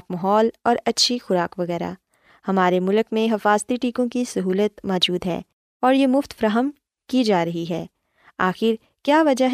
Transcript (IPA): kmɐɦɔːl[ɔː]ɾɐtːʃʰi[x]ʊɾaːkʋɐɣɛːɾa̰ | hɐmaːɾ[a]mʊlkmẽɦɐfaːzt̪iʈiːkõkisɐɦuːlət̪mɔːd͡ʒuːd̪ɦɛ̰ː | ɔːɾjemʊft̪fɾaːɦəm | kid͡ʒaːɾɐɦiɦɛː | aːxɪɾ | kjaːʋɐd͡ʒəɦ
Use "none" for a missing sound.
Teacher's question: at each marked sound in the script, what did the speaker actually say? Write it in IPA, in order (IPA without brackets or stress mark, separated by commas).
ɔː, x, e